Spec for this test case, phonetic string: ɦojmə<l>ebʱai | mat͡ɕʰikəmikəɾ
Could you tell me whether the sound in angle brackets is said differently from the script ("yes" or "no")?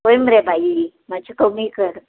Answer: yes